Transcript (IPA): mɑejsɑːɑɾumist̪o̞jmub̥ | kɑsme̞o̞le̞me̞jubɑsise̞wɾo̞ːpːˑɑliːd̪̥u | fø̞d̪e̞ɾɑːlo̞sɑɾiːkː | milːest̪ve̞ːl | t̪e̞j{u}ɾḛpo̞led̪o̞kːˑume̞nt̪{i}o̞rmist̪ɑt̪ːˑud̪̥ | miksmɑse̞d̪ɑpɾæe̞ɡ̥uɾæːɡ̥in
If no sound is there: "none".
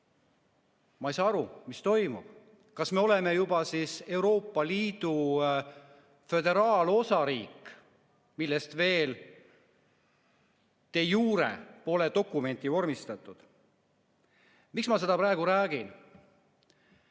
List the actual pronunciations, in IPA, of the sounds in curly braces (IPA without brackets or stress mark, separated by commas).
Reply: uː, i